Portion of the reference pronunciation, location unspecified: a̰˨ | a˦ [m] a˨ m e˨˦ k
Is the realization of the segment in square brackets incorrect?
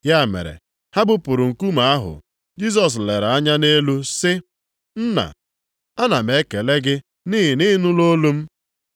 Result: yes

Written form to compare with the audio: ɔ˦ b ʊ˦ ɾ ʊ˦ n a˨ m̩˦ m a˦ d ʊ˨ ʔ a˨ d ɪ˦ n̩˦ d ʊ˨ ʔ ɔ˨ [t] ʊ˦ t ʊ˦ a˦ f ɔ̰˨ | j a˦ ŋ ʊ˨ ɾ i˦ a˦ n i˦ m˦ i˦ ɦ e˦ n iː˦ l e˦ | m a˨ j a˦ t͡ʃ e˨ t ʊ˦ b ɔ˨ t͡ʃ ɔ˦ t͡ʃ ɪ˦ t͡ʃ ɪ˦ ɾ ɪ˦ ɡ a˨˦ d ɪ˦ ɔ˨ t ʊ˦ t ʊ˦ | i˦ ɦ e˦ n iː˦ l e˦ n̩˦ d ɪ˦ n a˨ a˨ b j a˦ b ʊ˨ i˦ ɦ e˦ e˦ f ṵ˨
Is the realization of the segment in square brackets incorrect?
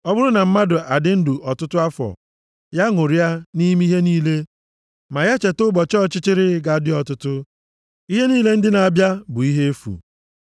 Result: no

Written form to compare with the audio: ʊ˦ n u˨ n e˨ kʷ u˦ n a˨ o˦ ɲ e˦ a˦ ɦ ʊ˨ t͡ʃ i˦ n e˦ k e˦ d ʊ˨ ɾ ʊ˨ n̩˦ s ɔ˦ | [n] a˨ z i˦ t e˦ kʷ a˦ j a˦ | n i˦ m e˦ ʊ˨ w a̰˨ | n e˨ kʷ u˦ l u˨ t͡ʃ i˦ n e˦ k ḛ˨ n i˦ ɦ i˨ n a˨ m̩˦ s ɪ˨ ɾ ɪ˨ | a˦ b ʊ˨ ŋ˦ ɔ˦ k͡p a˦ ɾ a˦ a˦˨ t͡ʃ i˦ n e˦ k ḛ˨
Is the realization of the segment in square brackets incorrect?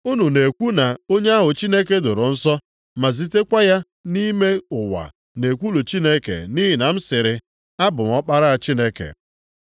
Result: yes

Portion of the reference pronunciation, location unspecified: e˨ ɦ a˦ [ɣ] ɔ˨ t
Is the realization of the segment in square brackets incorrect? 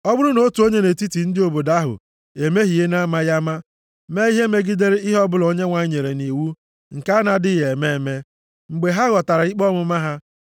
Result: no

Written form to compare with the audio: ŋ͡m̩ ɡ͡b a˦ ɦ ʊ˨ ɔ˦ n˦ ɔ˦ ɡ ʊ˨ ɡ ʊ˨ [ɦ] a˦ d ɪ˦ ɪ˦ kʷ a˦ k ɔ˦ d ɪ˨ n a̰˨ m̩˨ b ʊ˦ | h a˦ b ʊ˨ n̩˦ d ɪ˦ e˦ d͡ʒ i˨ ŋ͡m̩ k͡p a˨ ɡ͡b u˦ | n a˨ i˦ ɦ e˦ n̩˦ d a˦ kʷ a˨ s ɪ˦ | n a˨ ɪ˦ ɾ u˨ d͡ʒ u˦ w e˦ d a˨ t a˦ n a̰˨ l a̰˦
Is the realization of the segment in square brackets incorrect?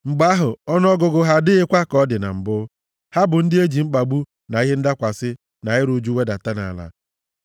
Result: no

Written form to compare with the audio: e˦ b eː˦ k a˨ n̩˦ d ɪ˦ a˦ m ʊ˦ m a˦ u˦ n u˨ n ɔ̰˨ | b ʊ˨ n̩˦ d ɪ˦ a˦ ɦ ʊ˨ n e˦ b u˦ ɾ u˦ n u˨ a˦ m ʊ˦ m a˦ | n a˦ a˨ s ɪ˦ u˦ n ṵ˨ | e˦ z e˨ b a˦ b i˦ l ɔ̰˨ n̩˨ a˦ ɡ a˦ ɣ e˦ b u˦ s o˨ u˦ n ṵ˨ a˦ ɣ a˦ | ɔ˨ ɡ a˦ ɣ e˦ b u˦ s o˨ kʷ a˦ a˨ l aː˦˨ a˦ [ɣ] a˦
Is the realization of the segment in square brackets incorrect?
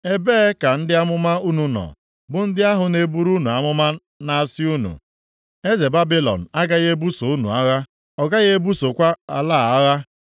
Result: no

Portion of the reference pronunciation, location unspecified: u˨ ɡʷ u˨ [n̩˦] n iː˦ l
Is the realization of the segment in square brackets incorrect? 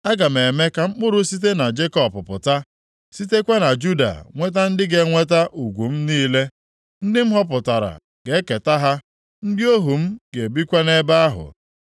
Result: yes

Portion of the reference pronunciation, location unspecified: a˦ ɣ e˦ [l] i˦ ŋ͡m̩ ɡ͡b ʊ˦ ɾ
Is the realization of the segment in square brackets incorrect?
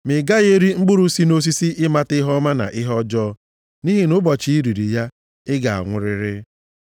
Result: yes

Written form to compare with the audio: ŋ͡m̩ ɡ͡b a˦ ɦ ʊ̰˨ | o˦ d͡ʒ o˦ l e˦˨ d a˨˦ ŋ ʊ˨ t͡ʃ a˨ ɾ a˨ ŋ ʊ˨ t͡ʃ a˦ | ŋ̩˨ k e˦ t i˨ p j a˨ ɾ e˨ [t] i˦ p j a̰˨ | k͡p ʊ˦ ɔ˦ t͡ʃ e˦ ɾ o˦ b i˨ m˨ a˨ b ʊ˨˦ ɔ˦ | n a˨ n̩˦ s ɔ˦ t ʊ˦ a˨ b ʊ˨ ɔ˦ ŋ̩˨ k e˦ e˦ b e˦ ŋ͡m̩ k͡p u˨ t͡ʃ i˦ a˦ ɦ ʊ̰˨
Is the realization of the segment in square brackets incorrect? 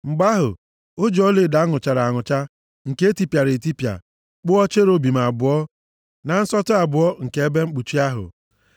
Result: no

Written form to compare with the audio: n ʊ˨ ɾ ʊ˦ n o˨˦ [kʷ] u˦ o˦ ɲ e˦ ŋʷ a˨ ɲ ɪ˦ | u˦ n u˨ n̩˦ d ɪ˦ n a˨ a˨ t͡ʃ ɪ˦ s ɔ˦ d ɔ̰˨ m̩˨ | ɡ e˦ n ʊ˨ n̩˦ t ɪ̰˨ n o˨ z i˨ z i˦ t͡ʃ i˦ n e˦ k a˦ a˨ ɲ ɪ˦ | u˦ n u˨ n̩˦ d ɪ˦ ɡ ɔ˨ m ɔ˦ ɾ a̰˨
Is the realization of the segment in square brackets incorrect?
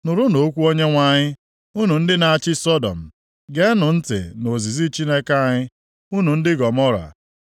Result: no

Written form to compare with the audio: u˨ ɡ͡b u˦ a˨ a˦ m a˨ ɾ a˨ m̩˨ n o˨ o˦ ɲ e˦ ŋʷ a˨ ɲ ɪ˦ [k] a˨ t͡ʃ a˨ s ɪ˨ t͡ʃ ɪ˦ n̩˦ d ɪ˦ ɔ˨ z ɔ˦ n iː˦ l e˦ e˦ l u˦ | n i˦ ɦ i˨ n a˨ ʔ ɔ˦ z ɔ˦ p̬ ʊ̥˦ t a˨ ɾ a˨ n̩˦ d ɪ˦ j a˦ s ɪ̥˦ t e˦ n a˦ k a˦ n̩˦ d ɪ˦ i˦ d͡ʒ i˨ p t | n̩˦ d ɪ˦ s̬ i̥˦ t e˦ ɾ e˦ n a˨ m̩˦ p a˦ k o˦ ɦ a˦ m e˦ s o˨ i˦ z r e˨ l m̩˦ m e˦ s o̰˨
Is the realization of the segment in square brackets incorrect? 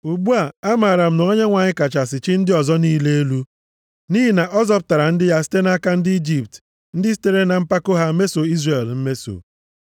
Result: no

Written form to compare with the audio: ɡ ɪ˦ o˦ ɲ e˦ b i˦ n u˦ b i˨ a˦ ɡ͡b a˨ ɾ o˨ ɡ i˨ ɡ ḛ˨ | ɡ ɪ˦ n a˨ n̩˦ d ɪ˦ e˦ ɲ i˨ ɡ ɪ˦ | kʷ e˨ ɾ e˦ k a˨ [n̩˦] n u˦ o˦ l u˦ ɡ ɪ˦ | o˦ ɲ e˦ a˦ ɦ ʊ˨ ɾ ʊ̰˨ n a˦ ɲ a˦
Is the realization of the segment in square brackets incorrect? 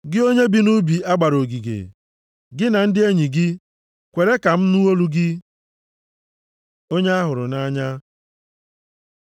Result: yes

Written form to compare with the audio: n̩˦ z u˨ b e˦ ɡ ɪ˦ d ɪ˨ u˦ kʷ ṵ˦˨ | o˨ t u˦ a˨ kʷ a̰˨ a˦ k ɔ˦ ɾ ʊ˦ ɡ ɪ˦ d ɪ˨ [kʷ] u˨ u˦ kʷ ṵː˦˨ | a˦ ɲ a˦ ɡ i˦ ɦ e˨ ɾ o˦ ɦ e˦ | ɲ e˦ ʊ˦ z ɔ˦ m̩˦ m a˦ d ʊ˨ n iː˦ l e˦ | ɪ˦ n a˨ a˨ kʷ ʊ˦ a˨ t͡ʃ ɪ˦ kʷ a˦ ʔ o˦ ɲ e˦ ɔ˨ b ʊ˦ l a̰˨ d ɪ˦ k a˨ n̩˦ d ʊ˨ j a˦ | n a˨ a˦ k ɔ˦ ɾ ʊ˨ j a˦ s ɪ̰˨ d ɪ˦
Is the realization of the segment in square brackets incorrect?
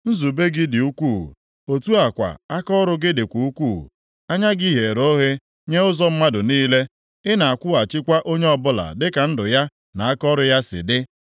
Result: no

